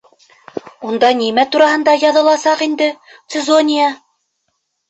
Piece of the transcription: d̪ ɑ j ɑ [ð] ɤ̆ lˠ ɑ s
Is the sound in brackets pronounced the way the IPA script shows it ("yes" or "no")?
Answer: yes